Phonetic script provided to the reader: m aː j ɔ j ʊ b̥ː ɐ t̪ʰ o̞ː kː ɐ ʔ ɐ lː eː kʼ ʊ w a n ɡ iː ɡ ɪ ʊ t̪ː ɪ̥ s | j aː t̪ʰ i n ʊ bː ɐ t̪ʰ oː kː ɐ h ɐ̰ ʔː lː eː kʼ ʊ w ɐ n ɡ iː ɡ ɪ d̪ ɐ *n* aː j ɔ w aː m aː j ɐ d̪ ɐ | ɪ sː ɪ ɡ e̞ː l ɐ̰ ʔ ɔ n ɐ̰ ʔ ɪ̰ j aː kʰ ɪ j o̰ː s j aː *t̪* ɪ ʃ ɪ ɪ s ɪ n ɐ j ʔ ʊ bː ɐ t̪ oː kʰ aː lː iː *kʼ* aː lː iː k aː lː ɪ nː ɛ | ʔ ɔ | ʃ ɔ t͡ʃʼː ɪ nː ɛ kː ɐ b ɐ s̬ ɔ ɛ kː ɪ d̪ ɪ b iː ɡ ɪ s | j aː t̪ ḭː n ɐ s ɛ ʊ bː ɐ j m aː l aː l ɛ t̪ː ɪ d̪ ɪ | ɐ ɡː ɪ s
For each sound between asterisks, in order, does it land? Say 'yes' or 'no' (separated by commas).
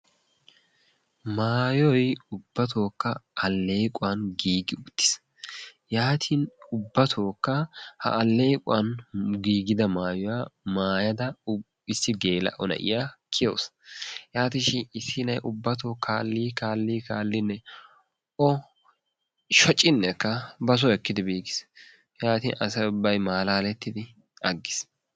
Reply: no, yes, no